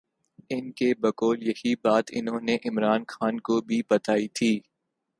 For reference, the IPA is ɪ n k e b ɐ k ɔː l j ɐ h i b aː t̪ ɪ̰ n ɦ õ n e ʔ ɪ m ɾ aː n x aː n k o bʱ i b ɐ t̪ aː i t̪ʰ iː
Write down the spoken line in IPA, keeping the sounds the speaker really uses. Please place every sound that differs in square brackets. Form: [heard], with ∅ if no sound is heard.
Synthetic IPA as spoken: ɪ n k e b ɐ k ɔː l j ɐ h i b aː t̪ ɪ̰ n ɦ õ n e ʔ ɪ m ɾ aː n x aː n k o bʱ i b ɐ t̪ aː i t̪ʰ iː

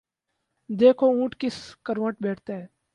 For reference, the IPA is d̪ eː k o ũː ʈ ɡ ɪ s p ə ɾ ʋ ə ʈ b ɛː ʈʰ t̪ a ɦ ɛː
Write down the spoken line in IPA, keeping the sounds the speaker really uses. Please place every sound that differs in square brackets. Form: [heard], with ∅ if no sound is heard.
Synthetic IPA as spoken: d̪ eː [kʰ] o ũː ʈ [k] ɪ s [k] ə ɾ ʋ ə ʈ b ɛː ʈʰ t̪ a ɦ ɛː

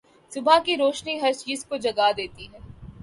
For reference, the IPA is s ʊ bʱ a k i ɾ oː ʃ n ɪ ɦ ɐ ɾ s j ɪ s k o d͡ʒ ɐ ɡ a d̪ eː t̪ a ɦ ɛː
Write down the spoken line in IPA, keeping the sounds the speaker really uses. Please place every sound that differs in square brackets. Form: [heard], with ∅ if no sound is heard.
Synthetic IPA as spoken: s ʊ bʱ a k i ɾ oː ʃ n [i] ɦ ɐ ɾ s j ɪ s k o d͡ʒ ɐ ɡ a d̪ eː t̪ [i] ɦ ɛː

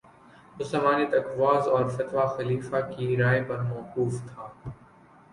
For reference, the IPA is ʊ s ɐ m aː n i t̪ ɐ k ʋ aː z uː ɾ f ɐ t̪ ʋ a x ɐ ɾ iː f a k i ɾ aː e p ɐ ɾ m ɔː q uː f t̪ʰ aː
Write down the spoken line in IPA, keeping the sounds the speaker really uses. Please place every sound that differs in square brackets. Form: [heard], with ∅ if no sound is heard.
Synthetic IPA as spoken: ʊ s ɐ m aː n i t̪ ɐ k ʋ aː z [ɔː] ɾ f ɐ t̪ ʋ a x ɐ [l] iː f a k i ɾ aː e p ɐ ɾ m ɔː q uː f t̪ʰ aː

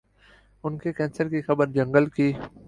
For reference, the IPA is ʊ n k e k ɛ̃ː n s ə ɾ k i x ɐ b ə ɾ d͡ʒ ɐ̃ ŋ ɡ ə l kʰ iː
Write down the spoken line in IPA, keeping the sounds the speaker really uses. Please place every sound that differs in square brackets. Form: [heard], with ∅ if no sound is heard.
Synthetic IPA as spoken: ʊ n k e k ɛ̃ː n s ə ɾ k i x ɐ b ə ɾ d͡ʒ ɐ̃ ŋ ɡ ə l [k] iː

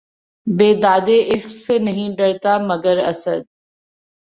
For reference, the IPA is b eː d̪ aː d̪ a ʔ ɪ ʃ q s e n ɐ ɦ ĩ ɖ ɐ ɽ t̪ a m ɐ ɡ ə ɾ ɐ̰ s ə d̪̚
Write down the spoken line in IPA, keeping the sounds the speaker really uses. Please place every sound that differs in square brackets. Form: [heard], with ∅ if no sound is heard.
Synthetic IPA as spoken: b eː d̪ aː d̪ [e] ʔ ɪ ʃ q s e n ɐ ɦ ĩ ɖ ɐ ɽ t̪ a m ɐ ɡ ə ɾ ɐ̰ s ə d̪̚

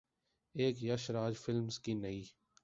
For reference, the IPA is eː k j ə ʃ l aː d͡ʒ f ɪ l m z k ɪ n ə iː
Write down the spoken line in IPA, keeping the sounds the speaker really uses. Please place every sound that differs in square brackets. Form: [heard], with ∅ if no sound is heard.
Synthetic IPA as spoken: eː k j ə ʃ [ɾ] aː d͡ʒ f ɪ l m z k [i] n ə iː

